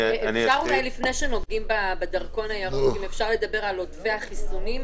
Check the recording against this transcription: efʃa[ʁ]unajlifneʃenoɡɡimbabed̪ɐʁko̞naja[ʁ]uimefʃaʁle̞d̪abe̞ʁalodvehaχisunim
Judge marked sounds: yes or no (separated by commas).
yes, yes